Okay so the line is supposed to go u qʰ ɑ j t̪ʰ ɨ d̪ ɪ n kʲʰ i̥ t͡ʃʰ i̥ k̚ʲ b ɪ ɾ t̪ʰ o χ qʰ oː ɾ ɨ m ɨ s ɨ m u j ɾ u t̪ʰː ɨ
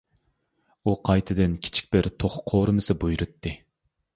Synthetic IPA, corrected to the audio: u qʰ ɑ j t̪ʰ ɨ d̪ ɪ n kʲʰ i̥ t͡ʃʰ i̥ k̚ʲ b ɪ ɾ t̪ʰ o χ qʰ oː ɾ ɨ m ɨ s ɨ b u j ɾ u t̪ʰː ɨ